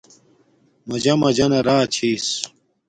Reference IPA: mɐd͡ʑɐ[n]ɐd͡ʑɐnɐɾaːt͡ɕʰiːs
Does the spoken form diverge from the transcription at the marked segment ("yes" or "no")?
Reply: yes